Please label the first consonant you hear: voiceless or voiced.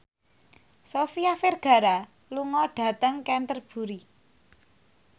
voiceless